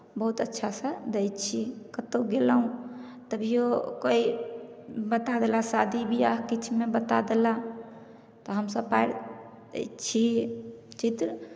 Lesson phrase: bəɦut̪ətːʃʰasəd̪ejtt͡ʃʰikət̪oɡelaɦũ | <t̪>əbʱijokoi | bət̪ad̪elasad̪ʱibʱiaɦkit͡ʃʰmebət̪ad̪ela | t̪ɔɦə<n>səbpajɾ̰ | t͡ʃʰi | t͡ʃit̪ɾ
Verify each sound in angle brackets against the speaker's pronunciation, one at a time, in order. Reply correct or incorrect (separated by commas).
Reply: correct, incorrect